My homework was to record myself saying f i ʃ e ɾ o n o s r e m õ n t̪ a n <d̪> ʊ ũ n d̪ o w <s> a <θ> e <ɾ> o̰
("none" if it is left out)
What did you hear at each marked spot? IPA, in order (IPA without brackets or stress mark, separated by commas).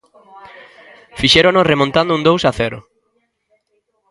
d̪, s, θ, ɾ